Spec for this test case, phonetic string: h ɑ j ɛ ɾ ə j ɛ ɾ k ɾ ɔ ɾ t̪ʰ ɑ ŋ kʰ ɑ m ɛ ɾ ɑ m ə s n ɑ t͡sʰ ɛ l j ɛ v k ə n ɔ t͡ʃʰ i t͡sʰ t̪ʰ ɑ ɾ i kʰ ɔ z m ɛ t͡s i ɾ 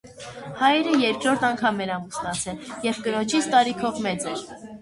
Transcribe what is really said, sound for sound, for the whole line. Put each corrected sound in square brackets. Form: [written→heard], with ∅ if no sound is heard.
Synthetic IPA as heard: h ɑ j ɛ ɾ ə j ɛ ɾ k ɾ ɔ ɾ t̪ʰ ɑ ŋ kʰ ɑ m ɛ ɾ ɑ m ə s n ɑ t͡sʰ ɛ l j ɛ v k ə n ɔ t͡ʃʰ i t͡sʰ [t̪ʰ→t̪] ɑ ɾ i kʰ ɔ [z→v] m ɛ t͡s [i→ɛ] ɾ